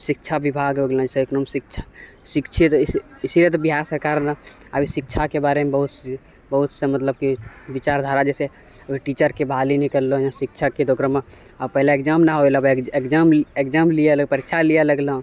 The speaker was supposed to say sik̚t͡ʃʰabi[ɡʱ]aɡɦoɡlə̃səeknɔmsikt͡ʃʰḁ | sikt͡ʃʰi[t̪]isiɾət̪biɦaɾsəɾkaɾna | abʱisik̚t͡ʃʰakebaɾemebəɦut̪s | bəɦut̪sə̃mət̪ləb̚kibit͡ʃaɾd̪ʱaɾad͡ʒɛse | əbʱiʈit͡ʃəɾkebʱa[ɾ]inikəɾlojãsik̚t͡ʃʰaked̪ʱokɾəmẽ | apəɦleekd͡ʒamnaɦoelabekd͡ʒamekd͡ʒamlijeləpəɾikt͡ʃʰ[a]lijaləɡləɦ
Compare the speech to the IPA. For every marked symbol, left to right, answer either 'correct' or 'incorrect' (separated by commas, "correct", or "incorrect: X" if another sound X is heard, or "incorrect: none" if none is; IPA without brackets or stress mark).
incorrect: bʱ, correct, incorrect: l, correct